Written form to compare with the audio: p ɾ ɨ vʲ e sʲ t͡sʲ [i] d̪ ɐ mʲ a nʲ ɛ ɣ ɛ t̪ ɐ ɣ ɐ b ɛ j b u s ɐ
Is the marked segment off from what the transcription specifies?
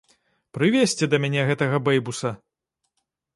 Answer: yes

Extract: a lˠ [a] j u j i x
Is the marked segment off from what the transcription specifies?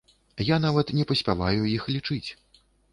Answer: no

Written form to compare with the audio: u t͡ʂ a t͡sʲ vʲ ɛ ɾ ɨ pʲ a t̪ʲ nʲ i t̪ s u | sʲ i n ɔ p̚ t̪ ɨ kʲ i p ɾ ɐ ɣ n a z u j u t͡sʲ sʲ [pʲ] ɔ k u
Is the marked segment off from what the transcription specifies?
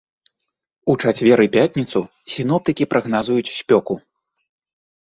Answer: no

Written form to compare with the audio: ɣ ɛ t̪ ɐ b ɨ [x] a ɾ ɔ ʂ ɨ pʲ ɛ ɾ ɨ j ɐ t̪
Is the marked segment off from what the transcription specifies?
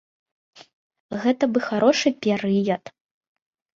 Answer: no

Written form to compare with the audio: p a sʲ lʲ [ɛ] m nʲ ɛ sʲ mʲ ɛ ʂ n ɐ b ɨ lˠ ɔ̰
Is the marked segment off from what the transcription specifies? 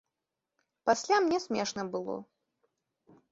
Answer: yes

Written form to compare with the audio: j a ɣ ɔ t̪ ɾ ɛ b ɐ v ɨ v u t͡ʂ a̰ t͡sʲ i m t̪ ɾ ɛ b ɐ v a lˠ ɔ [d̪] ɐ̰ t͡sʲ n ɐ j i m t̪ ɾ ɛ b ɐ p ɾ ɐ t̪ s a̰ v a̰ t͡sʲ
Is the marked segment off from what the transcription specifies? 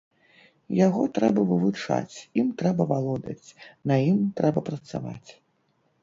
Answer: no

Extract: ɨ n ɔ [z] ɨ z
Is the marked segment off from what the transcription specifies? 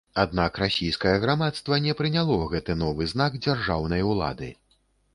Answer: yes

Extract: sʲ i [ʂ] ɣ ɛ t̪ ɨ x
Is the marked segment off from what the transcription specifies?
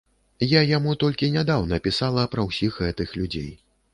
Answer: yes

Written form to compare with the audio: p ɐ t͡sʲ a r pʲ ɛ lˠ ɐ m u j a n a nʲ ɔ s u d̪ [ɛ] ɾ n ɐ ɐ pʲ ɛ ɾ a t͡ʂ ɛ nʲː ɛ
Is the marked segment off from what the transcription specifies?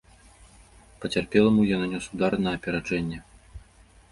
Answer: yes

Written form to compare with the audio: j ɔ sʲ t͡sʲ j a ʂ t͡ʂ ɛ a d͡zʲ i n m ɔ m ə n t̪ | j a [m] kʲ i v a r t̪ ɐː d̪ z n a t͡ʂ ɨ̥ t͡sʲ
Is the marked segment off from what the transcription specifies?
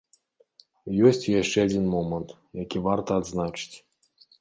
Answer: yes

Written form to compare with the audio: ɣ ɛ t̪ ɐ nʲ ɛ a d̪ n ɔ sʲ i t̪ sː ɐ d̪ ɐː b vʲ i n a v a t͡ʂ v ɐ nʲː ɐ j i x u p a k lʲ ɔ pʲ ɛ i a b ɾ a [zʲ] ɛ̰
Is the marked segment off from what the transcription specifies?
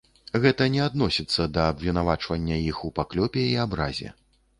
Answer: no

